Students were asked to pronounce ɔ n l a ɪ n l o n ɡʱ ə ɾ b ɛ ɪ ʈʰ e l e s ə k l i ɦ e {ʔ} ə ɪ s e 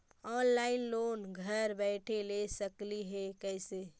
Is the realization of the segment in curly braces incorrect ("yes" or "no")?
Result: yes